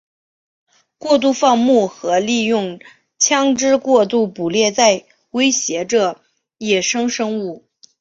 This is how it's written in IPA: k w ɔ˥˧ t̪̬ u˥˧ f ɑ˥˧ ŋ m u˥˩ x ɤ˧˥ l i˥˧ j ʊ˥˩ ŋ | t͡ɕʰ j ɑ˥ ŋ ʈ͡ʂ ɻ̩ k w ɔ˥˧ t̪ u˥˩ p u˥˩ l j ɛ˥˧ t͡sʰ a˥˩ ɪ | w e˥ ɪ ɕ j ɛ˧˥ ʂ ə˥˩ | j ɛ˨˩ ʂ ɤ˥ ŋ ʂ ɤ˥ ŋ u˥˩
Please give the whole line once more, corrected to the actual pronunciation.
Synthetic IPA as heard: k w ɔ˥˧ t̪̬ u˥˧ f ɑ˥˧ ŋ m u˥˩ x ɤ˧˥ l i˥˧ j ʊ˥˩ ŋ | t͡ɕʰ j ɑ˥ ŋ ʈ͡ʂ ɻ̩ k w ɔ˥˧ t̪ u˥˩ p u˨˩ l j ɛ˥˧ t͡s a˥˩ ɪ | w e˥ ɪ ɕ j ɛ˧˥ ʈ͡ʂ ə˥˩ | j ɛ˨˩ ʂ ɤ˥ ŋ ʂ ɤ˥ ŋ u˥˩